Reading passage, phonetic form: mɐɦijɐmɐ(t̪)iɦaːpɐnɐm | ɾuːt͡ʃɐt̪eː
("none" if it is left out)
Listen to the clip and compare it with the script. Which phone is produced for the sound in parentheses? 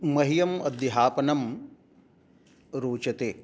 d̪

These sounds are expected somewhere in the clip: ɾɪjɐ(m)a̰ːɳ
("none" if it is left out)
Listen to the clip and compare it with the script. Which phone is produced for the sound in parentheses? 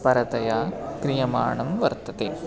m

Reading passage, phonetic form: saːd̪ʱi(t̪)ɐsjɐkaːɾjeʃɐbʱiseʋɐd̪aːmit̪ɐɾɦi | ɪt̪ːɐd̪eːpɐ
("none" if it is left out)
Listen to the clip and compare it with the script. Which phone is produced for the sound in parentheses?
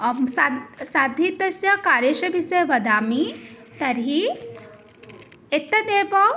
t̪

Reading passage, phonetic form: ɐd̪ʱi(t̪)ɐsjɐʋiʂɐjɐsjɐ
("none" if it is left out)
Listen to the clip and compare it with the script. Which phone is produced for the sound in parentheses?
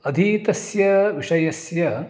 t̪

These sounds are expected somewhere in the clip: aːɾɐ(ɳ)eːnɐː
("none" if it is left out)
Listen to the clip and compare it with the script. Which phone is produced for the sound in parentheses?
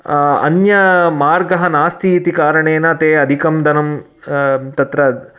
ɳ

